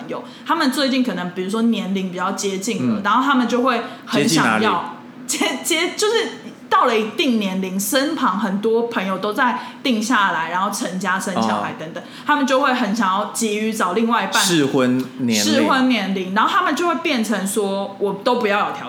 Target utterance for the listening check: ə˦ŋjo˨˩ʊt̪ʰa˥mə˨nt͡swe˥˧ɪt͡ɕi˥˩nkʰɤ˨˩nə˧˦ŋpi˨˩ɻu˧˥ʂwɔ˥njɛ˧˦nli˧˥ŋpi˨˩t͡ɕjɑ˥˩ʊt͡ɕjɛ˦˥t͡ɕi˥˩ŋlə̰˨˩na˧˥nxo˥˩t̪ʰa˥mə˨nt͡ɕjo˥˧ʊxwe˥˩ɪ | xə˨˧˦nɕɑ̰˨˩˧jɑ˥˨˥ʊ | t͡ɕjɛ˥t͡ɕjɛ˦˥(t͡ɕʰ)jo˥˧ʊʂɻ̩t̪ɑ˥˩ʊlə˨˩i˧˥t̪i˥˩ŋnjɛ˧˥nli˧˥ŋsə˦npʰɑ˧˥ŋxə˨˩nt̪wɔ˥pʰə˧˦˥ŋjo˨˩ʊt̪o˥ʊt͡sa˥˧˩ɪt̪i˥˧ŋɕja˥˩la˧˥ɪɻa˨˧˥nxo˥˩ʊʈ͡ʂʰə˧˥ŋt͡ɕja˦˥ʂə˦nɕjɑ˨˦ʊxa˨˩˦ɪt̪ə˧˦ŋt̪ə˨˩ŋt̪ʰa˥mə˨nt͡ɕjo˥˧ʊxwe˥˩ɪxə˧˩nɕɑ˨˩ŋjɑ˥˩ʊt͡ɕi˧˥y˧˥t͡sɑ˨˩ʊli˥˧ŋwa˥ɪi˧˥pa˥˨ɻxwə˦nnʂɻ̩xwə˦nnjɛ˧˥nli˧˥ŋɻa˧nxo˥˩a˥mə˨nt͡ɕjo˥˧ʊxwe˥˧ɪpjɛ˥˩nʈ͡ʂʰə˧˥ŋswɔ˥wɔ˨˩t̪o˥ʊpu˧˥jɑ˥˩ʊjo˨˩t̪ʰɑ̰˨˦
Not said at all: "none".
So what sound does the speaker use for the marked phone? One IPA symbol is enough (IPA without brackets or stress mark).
t͡ɕ